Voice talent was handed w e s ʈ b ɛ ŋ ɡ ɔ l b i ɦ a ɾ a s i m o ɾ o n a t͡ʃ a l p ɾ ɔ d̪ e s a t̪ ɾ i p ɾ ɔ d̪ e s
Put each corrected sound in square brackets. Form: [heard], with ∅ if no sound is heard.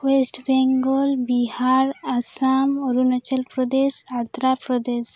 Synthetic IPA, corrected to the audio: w e s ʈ b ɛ ŋ ɡ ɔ l b i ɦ a ɾ a s [a] m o ɾ [u] n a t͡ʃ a l p ɾ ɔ d̪ e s a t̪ ɾ [a] p ɾ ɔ d̪ e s